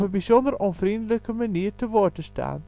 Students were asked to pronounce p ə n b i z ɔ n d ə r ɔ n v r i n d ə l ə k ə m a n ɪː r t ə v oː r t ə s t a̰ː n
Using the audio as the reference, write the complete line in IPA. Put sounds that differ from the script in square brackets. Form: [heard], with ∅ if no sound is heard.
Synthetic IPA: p ə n b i z ɔ n d ə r ɔ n v r i n d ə l ə k ə m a n [iː] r t ə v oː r t ə s t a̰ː n